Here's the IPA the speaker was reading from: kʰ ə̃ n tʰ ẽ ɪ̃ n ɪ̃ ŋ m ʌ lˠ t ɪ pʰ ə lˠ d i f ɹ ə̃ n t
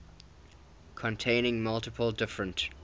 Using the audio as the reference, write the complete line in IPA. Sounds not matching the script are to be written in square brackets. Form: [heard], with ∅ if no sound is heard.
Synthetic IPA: kʰ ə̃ n tʰ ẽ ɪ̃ n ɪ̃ ŋ m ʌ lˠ t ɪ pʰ ə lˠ d [ɪ] f ɹ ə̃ n t

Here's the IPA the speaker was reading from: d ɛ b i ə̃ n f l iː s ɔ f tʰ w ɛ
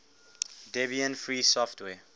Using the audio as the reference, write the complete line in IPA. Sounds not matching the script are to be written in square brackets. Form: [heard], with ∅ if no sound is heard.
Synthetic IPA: d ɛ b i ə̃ n f [ɹ] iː s ɔ f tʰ w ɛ

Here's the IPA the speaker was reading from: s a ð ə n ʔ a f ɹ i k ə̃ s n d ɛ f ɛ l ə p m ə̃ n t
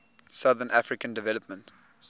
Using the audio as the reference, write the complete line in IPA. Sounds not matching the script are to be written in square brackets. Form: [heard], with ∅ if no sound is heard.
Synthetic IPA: s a ð ə n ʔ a f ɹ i k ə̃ [∅] n d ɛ [v] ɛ l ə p m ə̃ n t

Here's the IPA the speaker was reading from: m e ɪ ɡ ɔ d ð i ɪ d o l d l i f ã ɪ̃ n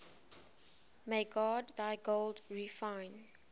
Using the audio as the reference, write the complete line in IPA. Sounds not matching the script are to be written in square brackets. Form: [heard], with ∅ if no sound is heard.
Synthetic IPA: m e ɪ ɡ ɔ d ð [a] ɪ [ɡ] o l d [ɹ] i f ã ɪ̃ n

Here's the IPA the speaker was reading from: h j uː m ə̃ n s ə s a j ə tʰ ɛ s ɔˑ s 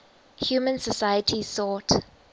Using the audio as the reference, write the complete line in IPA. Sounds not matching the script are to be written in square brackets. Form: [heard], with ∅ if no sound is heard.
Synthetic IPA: h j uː m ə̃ n s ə s a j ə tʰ [i] s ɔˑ [t]

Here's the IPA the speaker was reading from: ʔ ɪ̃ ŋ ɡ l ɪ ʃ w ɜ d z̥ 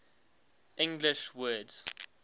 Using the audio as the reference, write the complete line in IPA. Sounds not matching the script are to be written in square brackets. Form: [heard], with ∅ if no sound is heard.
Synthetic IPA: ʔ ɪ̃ ŋ ɡ l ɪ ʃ w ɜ d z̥

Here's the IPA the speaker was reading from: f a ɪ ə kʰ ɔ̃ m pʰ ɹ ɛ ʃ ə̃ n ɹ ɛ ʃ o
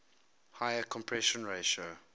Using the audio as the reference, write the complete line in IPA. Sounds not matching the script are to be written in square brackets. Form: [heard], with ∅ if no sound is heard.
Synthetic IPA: [h] a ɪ ə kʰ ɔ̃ m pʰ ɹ ɛ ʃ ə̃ n ɹ [e] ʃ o

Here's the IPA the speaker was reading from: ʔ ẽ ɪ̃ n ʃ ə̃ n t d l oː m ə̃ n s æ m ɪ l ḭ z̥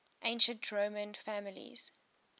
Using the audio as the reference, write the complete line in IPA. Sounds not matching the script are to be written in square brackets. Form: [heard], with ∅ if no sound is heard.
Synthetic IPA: ʔ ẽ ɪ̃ n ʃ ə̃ n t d [ɹ] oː m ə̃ n [f] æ m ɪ l ḭ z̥

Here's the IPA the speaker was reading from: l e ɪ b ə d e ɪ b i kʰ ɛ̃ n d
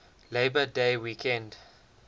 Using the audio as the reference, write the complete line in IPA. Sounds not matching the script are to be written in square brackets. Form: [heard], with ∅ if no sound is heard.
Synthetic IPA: l e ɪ b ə d e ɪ [w] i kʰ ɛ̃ n d

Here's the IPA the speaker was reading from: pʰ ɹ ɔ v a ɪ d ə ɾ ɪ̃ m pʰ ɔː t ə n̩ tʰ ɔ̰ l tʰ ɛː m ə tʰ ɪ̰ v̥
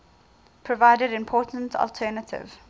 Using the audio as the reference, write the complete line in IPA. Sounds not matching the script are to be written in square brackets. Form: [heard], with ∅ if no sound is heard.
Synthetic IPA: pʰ ɹ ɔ v a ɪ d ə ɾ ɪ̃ m pʰ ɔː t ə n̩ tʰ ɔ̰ l tʰ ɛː [n] ə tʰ ɪ̰ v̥

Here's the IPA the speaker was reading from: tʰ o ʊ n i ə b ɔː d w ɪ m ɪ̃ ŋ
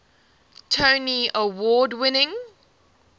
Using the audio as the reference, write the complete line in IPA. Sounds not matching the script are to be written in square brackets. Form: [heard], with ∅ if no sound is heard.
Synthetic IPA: tʰ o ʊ n i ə [w] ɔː d w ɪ [n] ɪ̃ ŋ

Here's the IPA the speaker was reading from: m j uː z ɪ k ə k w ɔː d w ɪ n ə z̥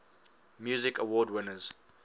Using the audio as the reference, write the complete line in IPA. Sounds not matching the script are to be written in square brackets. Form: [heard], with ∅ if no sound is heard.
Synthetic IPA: m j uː z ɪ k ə [∅] w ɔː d w ɪ n ə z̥

